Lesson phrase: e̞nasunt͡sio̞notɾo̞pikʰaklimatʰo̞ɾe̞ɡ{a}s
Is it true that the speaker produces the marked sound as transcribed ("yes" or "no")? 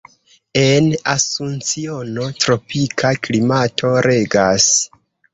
yes